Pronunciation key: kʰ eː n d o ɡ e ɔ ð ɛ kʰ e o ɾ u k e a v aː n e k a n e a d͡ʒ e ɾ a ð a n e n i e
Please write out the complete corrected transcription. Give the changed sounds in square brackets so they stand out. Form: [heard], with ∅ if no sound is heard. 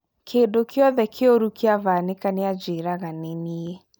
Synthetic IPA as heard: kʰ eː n d o [k] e ɔ ð ɛ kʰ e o ɾ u k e a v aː n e k a n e a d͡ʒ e ɾ a [ɣ] a n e n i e